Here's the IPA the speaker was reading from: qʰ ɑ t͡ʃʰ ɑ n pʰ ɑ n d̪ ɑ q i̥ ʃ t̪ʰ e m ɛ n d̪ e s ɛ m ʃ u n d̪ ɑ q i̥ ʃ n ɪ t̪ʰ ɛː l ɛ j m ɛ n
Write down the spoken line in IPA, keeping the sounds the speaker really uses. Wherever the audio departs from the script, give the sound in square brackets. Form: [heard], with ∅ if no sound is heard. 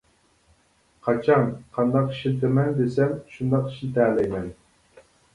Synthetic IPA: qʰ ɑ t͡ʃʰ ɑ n [qʰ] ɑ n d̪ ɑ q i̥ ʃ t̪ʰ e m ɛ n d̪ e s ɛ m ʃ u n d̪ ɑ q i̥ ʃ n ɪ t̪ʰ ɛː l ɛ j m ɛ n